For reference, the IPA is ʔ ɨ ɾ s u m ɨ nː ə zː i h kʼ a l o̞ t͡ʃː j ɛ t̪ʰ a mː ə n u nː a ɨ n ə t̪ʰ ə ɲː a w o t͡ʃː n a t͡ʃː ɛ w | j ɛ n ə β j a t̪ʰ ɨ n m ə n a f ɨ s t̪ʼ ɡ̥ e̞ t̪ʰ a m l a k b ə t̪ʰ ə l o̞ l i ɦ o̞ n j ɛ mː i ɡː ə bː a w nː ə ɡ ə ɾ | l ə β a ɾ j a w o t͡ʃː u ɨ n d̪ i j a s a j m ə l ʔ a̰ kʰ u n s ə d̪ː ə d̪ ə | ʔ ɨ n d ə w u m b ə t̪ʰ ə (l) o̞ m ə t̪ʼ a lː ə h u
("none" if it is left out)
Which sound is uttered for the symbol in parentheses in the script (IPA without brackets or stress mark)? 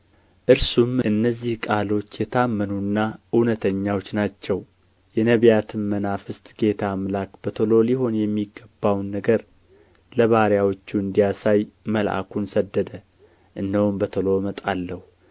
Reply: l